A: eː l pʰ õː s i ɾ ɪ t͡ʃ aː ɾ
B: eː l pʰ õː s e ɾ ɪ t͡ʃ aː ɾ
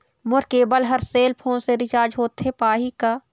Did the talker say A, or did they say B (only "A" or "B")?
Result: B